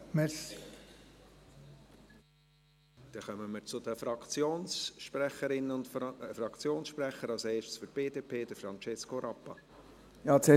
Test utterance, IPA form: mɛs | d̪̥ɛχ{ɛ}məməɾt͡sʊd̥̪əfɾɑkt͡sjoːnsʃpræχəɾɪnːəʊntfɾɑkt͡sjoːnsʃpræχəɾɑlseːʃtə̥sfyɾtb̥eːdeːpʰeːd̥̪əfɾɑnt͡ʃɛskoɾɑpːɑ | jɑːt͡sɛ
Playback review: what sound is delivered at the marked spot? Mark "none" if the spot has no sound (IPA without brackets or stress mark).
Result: œ